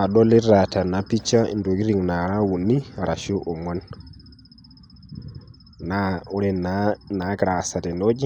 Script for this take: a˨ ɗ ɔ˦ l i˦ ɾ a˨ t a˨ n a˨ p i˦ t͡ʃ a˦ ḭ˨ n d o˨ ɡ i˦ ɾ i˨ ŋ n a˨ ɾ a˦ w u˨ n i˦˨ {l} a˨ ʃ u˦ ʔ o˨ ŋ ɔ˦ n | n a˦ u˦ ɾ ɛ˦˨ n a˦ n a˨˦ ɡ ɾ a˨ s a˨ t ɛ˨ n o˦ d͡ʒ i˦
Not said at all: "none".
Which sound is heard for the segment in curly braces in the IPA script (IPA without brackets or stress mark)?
ɾ